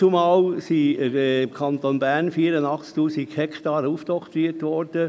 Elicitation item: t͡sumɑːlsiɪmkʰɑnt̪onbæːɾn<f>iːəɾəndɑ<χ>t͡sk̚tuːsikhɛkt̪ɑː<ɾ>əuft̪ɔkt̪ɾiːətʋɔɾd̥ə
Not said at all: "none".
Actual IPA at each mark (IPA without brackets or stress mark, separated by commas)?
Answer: f, χ, ɾ